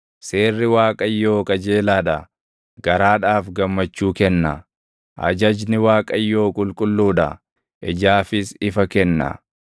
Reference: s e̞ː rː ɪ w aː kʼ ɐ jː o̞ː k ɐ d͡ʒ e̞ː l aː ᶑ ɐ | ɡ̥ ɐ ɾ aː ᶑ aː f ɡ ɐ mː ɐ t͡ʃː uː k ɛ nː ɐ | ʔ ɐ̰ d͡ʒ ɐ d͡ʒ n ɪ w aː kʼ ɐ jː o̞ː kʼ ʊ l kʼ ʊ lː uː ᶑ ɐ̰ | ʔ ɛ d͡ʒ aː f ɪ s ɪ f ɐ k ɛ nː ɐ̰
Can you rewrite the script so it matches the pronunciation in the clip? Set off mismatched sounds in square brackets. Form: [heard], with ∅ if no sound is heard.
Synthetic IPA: s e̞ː rː ɪ w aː kʼ ɐ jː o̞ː k ɐ d͡ʒ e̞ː l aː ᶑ ɐ | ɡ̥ ɐ ɾ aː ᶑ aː f ɡ ɐ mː ɐ t͡ʃː uː k ɛ nː ɐ | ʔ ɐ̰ d͡ʒ ɐ d͡ʒ n ɪ w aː kʼ ɐ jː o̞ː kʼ ʊ l kʼ ʊ lː uː ᶑ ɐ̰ | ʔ ɛ d͡ʒ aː f ɪ s ɪ f ɐ k ɛ nː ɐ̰